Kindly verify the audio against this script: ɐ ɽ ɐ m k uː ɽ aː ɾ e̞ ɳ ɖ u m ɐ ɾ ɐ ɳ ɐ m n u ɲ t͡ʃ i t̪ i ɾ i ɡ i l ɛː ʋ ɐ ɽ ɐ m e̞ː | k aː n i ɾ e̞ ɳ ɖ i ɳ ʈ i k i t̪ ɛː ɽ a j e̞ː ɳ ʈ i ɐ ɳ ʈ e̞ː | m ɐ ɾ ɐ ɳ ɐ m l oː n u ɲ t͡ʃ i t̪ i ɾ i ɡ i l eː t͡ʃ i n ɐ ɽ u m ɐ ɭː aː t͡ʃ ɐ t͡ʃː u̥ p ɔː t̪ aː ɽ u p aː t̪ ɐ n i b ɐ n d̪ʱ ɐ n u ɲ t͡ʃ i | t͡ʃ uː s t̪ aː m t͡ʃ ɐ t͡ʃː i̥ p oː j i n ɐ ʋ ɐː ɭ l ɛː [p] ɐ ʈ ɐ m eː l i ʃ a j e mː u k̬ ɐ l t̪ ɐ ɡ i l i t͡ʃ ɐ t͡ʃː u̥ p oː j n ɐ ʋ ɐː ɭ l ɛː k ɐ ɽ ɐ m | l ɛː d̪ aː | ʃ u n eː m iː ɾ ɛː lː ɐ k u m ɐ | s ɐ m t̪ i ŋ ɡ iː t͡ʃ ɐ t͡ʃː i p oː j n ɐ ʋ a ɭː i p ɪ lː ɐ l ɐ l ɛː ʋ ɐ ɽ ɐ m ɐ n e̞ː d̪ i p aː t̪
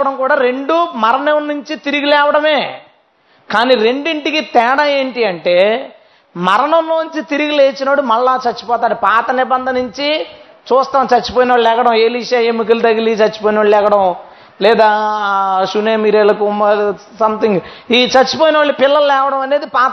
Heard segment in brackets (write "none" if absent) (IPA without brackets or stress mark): k